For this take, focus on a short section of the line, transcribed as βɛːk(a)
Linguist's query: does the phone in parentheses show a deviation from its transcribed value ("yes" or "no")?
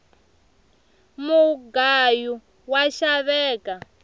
no